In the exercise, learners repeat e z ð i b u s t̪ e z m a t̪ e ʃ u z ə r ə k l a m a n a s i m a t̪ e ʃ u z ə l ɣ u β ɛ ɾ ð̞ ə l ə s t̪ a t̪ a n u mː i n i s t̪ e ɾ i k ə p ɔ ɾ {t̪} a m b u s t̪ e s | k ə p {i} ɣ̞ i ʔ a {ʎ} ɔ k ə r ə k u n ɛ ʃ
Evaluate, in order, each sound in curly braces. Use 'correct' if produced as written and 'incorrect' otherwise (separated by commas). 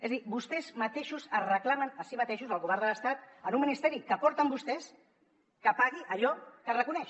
correct, incorrect, correct